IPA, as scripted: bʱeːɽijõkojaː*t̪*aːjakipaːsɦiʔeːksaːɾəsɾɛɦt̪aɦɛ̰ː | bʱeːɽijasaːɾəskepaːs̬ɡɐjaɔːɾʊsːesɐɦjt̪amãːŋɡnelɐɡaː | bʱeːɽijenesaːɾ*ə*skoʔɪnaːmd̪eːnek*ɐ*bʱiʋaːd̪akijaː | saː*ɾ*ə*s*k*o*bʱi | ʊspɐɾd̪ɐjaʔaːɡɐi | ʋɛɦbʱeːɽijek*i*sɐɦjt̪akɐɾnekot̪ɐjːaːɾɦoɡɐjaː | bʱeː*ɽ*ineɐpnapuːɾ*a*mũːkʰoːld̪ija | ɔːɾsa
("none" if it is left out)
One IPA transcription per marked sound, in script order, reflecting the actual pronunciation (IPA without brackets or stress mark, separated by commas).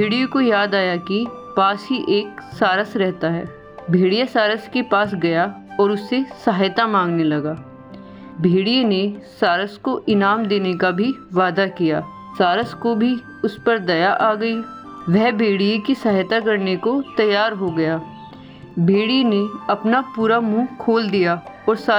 d̪, ə, a, ɾ, s, o, i, ɽ, a